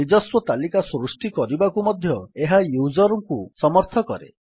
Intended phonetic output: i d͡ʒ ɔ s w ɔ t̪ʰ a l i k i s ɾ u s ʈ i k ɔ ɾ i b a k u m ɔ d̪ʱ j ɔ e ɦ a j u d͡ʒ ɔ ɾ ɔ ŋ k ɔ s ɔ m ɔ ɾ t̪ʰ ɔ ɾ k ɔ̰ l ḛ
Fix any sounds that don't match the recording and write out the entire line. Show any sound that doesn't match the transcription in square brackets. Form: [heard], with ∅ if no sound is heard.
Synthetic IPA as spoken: i d͡ʒ ɔ s w ɔ [t̪] a l i k [a] s ɾ u s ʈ i k ɔ ɾ i b a k u m ɔ d̪ʱ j ɔ e ɦ a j u d͡ʒ ɔ ɾ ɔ ŋ k [u] s ɔ m ɔ ɾ t̪ʰ ɔ [∅] k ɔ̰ [ɾ] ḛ